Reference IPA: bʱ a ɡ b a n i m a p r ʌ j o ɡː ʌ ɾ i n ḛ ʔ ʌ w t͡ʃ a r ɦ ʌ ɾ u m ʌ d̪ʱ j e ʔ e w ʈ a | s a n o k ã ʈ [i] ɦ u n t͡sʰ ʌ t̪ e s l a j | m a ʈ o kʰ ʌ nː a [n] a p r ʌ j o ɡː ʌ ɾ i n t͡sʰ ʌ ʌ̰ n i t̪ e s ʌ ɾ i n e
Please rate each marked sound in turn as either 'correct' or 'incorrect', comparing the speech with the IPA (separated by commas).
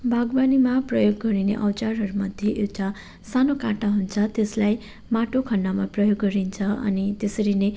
incorrect, incorrect